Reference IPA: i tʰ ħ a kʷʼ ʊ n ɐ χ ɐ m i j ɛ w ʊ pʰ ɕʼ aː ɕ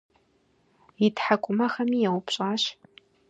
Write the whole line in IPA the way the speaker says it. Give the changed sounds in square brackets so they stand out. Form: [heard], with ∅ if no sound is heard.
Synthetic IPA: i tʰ ħ a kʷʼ ʊ [m] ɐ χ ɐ m i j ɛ w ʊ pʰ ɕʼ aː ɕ